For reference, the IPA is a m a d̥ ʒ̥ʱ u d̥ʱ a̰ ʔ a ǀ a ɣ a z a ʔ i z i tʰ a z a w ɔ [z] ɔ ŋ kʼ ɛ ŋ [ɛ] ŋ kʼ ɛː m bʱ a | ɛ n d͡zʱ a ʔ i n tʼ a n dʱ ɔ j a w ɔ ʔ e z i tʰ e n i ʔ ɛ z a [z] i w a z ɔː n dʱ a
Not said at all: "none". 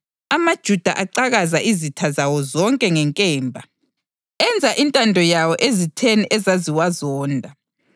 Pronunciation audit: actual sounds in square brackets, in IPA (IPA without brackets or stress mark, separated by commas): z, ɛ, z